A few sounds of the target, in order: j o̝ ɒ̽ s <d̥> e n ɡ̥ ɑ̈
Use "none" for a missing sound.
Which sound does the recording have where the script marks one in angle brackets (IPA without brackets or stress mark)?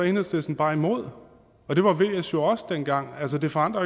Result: d̥